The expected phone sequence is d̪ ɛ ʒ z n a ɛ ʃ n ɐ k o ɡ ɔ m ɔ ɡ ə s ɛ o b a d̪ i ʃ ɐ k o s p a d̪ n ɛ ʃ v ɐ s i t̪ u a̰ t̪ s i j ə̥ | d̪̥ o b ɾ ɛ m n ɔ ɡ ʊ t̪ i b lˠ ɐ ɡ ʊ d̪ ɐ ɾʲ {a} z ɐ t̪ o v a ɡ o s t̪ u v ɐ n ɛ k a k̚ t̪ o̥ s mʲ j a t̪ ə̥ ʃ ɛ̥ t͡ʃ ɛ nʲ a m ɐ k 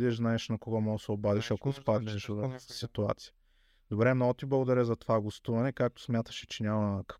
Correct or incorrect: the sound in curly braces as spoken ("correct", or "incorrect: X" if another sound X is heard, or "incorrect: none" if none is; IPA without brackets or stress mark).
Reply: incorrect: ɛ